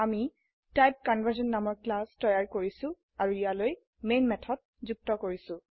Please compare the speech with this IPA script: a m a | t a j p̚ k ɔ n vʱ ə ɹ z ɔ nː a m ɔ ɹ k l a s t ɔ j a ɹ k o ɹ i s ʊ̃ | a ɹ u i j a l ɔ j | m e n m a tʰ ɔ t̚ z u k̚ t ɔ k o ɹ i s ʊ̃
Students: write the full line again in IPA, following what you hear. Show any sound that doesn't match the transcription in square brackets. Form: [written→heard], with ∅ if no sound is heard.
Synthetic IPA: a m [a→i] | t a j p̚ k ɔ n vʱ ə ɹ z ɔ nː a m ɔ ɹ k l a s t ɔ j a ɹ k o ɹ i s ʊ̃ | a ɹ u i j a l [ɔ→o] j | m e n m [a→ɛ] tʰ ɔ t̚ z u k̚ t ɔ k o ɹ i s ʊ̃